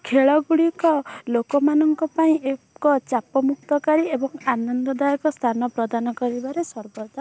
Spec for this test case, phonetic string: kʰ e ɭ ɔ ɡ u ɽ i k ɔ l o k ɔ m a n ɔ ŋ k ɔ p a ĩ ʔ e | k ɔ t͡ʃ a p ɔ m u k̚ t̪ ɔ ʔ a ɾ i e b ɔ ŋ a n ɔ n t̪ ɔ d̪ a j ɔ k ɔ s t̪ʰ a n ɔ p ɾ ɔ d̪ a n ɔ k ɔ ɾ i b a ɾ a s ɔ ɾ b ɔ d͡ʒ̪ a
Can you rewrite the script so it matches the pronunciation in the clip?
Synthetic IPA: kʰ e ɭ ɔ ɡ u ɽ i k ɔ l o k ɔ m a n ɔ ŋ k ɔ p a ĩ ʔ e | k ɔ t͡ʃ a p ɔ m u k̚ t̪ ɔ k a ɾ i e b ɔ ŋ a n ɔ n d̪ ɔ d̪ a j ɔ k ɔ s t̪ʰ a n ɔ p ɾ ɔ d̪ a n ɔ k ɔ ɾ i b a ɾ e s ɔ ɾ b ɔ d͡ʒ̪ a

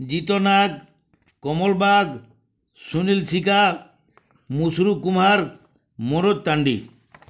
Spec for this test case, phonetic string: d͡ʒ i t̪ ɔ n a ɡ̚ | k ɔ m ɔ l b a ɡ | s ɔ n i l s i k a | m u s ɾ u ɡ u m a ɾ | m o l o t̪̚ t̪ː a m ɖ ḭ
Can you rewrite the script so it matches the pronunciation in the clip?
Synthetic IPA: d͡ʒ i t̪ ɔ n a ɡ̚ | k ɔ m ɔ l b a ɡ | s u n i l s i k a | m u s ɾ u k u m a ɾ | m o ɾ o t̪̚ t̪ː a ɳ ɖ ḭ

